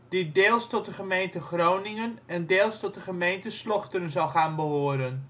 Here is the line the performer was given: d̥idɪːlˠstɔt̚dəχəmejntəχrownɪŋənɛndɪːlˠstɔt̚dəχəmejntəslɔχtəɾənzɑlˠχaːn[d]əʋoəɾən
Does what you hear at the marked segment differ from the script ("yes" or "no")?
yes